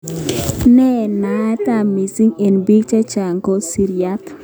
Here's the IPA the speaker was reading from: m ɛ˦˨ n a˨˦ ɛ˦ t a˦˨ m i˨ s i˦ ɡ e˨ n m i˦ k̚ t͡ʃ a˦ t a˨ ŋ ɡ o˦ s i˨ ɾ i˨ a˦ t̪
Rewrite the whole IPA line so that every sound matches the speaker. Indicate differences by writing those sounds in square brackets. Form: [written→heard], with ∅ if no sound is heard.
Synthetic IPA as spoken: [m→n] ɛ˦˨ n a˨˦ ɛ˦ t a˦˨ m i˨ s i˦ [ɡ→ŋ] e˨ n [m→b] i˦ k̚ t͡ʃ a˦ [t→t͡ʃ] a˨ ŋ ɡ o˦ s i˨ ɾ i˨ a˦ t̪

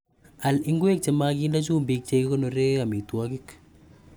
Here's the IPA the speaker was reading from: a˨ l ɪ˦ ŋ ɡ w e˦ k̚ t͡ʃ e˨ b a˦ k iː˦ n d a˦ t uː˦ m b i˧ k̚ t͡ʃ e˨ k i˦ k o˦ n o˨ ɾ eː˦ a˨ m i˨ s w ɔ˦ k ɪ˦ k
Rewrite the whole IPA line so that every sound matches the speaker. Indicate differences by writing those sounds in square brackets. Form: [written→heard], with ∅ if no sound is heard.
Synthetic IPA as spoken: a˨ l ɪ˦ ŋ ɡ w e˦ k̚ t͡ʃ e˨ [b→m] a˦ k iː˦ n d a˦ [t→t͡ʃ] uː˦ m b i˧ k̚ t͡ʃ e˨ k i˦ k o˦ n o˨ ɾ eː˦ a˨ m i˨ [s→t] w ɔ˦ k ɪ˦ k

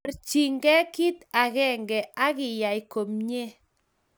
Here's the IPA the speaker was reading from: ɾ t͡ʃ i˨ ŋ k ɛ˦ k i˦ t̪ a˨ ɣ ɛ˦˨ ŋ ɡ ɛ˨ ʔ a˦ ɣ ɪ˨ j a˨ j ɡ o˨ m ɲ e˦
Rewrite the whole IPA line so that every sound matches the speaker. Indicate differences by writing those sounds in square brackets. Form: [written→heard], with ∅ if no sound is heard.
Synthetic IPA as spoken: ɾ t͡ʃ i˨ ŋ [k→ɡ] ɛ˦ k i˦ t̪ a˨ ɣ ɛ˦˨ ŋ ɡ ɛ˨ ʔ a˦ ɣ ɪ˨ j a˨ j [ɡ→k] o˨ m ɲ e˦

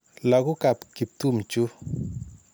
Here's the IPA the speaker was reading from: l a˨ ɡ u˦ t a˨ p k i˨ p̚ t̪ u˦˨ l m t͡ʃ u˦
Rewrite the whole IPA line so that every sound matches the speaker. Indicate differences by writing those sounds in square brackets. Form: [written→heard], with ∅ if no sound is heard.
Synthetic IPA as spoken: l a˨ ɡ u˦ [t→k] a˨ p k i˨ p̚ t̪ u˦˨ [l→∅] m t͡ʃ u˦

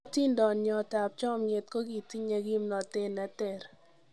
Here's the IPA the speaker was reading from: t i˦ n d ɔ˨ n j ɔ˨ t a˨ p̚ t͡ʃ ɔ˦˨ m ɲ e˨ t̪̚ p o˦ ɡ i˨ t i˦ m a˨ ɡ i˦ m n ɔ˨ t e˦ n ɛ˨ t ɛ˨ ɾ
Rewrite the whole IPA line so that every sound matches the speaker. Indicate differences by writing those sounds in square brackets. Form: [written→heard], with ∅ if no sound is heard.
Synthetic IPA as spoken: t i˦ n d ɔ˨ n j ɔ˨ t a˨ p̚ t͡ʃ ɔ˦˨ m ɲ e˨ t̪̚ [p→k] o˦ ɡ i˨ t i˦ [m→ɲ] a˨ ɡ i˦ m n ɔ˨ t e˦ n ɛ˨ t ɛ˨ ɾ

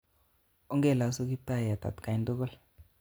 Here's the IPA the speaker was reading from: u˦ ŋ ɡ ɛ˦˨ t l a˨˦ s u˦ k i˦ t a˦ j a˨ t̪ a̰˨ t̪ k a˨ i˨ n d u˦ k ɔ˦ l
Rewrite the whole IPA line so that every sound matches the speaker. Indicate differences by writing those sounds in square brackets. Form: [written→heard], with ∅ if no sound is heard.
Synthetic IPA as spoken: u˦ ŋ ɡ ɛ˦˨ [t→∅] l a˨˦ s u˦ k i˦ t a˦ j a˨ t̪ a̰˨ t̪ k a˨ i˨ n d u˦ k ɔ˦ l

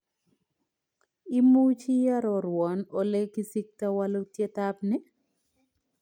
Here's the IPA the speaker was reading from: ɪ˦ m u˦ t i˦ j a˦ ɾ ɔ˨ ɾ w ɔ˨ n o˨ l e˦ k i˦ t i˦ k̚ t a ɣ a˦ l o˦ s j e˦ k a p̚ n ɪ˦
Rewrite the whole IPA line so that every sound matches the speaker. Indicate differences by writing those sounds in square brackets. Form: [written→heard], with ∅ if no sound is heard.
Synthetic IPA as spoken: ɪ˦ m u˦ [t→t͡ʃ] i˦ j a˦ ɾ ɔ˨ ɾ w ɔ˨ n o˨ l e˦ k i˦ [t→s] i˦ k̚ t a [ɣ→w] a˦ l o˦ [s→t] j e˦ [k→t] a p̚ n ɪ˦

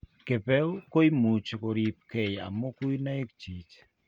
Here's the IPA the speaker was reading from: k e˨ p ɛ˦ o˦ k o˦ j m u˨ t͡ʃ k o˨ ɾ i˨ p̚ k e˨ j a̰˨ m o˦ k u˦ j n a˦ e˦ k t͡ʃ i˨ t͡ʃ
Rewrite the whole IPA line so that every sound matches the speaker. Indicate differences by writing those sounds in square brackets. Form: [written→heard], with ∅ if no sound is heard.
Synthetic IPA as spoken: k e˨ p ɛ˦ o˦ k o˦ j m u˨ t͡ʃ k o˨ ɾ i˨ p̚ k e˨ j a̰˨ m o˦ k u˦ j n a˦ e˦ k t͡ʃ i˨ t͡ʃ

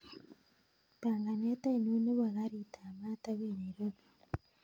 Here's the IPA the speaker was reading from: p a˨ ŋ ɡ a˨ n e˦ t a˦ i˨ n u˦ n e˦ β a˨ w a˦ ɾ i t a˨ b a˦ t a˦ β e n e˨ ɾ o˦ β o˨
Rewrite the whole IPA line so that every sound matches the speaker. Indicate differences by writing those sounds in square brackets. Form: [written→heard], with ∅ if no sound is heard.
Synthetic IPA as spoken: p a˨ ŋ ɡ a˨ n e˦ t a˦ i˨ n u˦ n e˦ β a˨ [w→ɣ] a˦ ɾ i t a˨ [b→m] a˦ t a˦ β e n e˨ ɾ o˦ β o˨

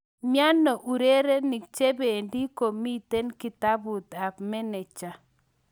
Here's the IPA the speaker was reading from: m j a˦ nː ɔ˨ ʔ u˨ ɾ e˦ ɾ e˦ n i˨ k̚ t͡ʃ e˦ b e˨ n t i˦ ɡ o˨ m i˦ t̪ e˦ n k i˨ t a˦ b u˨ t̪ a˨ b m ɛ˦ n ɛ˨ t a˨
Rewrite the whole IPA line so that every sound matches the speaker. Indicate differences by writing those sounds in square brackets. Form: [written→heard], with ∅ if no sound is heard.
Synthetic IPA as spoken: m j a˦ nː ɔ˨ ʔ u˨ ɾ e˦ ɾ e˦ n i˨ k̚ t͡ʃ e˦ b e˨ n [t→d] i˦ [ɡ→k] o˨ m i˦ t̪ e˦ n k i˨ t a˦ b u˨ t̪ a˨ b m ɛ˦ n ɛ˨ [t→t͡ʃ] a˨

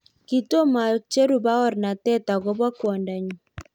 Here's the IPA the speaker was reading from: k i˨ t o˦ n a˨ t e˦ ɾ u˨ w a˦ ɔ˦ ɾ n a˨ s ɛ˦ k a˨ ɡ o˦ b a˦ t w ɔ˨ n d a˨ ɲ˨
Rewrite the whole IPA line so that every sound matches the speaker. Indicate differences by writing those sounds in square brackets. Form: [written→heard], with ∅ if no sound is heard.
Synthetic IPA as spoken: k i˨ t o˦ [n→m] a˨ [t→t͡ʃ] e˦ ɾ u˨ [w→b] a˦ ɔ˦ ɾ n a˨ [s→t] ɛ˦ [k→t] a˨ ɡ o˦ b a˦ [t→k] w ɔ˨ n d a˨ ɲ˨

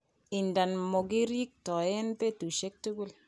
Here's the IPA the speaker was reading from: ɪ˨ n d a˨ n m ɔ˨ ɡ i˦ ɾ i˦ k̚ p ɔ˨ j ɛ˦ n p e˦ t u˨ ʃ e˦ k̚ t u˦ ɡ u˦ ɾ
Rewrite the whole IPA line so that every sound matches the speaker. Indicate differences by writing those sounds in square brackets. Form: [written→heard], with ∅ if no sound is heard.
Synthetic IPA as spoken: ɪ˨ n d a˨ n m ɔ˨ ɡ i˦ ɾ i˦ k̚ [p→t] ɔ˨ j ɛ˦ n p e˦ t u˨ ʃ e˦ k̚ t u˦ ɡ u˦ [ɾ→l]

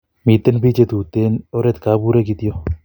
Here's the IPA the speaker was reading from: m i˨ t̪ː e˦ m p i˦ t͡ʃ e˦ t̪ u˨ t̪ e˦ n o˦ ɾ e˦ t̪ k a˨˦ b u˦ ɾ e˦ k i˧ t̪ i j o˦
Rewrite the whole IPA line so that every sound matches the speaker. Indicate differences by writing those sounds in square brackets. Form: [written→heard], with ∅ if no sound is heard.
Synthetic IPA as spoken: m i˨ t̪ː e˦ [m→n] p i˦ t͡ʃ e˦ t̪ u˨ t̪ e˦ n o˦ ɾ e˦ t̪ k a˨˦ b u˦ ɾ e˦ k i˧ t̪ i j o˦

